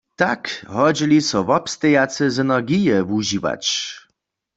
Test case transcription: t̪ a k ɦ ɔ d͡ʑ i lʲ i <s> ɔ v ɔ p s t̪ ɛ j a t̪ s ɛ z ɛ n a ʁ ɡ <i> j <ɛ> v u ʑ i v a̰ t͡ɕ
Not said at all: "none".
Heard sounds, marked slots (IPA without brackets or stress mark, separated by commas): s, i, ɛ